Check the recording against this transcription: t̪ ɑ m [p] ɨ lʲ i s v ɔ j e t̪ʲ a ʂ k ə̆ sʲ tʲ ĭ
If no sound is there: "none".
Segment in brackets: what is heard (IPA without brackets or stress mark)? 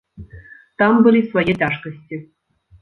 b